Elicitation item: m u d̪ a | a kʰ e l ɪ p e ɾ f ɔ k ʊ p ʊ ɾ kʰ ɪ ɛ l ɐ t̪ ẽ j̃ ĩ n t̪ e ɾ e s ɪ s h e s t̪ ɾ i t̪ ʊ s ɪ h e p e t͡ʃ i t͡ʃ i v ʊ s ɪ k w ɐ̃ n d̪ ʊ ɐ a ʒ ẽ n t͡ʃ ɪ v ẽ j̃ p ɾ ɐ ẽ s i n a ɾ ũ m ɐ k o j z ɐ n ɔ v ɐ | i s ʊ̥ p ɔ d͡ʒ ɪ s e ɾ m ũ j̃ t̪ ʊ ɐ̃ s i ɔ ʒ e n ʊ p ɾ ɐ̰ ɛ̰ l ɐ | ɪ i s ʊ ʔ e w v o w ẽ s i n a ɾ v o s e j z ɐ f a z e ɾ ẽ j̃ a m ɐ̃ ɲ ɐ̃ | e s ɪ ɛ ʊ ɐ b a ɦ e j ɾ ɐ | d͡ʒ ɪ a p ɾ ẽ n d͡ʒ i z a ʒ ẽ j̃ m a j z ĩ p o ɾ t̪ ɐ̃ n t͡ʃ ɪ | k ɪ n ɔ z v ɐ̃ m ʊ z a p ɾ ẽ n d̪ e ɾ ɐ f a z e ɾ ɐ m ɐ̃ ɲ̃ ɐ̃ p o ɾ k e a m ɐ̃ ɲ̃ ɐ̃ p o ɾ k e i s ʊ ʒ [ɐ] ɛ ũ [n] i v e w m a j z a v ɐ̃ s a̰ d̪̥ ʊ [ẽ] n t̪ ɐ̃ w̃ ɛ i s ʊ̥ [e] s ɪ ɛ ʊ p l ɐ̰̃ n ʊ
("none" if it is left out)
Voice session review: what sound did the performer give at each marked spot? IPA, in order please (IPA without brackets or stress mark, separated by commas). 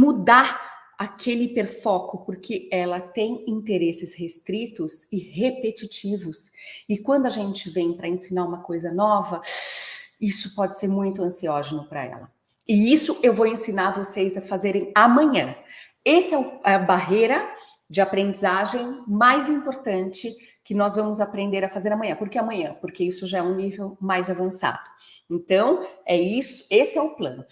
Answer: a, n, ẽ, e